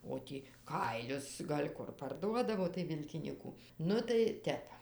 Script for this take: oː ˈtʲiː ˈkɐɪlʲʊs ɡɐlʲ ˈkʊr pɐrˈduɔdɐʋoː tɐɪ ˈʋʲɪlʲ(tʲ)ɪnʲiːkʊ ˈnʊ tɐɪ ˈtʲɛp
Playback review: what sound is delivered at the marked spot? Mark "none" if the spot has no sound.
kʲ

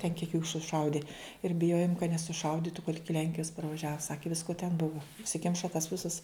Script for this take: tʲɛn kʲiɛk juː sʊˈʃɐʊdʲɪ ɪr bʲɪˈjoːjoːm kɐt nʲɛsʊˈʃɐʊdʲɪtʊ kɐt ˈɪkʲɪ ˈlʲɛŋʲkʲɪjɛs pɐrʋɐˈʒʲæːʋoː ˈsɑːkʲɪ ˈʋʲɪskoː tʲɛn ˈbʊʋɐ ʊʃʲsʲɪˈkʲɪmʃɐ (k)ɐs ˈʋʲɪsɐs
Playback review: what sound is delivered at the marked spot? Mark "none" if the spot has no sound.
t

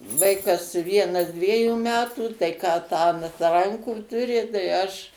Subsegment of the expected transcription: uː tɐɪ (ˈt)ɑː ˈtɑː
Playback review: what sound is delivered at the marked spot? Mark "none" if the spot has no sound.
k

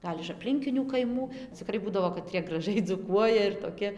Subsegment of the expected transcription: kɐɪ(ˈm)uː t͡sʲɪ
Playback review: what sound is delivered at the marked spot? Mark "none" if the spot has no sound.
m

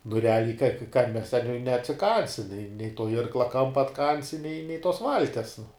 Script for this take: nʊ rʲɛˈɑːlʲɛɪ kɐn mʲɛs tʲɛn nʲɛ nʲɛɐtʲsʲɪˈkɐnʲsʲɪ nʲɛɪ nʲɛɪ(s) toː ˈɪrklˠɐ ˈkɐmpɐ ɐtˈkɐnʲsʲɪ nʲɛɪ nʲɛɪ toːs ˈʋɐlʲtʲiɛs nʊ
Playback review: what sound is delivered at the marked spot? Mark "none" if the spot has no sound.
none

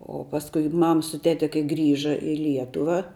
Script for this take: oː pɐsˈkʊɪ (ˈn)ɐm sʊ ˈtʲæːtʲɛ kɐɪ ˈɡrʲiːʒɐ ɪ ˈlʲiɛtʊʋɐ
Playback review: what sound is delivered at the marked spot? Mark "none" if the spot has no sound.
m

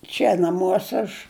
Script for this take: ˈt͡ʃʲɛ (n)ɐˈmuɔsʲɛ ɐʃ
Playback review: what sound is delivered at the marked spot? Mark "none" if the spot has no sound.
n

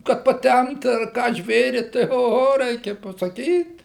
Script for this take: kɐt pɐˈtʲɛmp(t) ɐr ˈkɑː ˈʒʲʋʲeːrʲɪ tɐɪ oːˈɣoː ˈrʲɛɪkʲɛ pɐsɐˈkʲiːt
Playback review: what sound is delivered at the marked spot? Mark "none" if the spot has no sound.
t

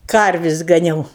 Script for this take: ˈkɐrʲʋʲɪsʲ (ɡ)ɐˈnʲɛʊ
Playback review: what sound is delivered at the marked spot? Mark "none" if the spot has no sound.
ɡ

